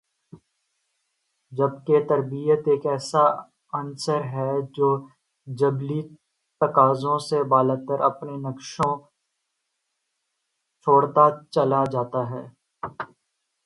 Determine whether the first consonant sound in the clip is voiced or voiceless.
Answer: voiced